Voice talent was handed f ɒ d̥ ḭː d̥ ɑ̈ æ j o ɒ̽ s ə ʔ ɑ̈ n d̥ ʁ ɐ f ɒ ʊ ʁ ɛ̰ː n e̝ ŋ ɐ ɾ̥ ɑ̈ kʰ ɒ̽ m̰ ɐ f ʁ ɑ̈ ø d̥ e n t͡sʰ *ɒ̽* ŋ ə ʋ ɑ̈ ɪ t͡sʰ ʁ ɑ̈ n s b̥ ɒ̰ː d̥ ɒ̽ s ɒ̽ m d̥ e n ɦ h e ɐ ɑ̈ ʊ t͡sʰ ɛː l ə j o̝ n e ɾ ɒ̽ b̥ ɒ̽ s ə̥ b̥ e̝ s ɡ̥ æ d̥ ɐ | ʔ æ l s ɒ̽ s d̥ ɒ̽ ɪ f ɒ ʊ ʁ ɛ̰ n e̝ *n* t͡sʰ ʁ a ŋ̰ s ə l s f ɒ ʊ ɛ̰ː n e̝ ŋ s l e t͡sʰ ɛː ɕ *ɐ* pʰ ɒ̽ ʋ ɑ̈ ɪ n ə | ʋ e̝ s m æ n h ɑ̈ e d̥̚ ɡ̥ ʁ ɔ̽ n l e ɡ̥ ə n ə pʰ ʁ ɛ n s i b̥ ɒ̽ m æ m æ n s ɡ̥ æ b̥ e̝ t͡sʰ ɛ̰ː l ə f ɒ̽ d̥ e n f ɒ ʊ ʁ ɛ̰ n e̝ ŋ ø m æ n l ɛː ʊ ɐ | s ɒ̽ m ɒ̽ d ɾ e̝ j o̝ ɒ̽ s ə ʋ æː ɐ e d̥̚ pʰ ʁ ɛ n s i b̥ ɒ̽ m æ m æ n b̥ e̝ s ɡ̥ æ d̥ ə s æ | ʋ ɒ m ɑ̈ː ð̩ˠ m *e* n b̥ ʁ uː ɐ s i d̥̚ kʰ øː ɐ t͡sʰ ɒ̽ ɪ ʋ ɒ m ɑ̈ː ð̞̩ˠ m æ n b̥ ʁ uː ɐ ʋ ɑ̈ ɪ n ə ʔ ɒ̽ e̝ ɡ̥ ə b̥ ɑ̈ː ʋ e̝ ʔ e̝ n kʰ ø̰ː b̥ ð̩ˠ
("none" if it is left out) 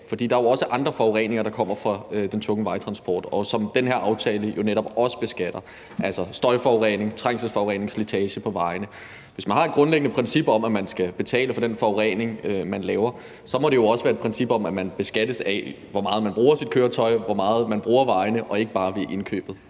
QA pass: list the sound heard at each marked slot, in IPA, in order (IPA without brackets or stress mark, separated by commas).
ɔ̽, ŋ, ə, æ